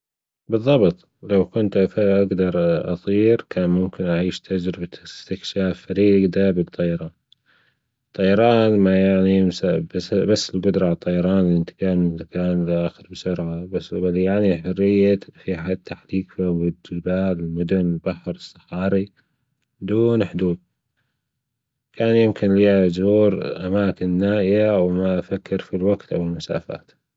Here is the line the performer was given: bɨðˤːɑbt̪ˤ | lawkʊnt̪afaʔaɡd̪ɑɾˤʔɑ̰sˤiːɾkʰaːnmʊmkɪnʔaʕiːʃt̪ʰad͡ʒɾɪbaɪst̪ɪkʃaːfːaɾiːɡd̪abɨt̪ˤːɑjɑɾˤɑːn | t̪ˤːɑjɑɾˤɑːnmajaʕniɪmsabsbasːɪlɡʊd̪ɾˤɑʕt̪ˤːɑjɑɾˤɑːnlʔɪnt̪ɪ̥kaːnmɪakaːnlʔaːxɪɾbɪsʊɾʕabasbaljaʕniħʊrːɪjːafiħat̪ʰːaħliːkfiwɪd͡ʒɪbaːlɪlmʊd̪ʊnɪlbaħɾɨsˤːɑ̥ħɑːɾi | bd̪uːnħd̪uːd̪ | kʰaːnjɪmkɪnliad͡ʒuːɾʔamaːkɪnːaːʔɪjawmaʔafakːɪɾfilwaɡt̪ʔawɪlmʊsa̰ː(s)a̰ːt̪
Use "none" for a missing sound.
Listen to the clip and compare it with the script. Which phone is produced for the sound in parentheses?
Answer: f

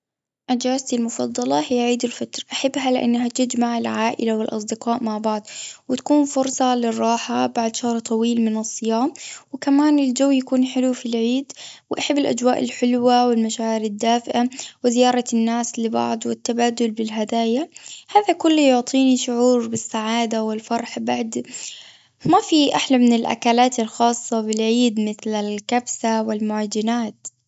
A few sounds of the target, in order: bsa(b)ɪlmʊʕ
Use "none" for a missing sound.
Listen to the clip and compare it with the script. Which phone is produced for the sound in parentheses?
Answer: w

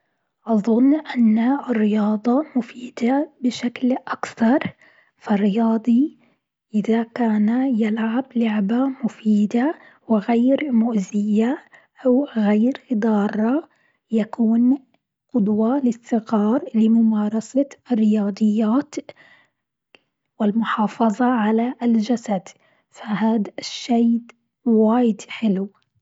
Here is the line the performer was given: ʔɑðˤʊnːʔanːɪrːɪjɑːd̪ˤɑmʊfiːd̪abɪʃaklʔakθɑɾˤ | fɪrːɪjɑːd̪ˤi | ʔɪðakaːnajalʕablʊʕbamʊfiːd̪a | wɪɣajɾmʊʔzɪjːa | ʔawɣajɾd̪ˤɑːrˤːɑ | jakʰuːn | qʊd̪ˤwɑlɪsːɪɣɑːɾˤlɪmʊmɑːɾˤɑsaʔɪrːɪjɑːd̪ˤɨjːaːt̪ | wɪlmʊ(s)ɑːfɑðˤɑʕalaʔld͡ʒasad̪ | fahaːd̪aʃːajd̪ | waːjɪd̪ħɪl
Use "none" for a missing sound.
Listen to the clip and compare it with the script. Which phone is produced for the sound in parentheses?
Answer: ħ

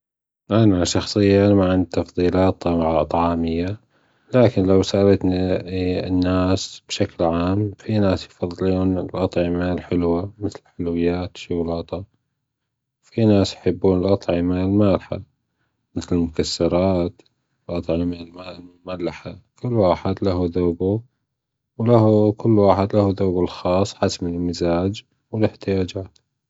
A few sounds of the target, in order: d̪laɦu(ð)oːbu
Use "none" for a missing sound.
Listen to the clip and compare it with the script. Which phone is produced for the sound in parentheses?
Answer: ð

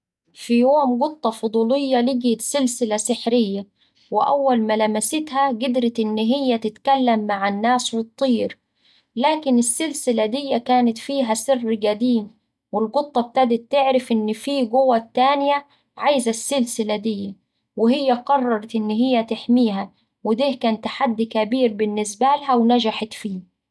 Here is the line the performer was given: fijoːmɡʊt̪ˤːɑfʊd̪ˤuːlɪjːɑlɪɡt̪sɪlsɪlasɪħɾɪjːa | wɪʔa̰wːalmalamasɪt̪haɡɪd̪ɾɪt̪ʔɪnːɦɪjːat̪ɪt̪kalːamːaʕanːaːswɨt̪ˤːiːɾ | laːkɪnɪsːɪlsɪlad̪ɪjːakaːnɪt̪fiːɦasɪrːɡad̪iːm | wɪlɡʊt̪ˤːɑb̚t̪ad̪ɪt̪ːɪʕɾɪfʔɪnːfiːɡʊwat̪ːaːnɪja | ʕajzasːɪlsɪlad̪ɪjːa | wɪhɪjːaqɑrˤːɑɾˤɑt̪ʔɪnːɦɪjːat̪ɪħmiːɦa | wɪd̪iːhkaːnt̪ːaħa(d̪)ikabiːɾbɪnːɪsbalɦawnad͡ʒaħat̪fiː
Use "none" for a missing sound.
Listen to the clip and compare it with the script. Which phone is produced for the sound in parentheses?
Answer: d̪ː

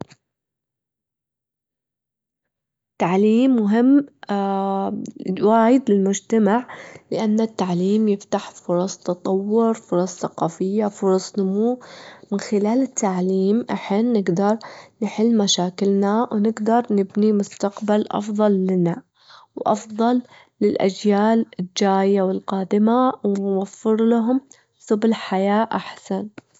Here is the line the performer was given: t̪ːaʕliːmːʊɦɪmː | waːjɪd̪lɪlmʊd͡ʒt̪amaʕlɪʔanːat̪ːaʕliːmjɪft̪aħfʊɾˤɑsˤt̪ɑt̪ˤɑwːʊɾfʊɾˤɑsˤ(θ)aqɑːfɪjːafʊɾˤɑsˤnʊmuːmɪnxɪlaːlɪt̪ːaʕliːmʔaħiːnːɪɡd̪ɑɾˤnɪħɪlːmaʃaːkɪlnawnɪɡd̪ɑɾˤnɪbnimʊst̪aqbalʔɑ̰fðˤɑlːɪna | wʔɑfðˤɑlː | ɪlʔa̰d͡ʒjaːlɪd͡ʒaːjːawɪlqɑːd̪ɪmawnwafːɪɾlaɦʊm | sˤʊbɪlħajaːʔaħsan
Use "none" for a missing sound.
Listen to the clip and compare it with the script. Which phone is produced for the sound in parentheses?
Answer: θ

